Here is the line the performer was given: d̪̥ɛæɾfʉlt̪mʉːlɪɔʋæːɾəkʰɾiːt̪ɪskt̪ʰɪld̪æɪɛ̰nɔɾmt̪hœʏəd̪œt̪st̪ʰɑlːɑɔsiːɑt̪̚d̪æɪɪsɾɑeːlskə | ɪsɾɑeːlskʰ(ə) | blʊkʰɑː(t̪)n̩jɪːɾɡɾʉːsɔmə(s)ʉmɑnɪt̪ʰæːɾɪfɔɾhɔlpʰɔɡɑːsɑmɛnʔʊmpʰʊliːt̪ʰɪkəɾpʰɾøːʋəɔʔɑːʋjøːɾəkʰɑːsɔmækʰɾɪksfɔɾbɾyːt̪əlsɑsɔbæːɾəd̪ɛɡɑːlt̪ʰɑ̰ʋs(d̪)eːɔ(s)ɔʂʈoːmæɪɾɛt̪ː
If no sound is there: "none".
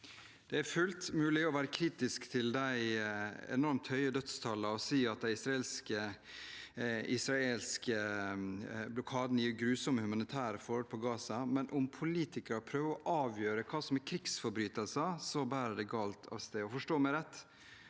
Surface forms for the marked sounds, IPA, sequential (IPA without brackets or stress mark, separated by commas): ə, d̪, h, t̪, f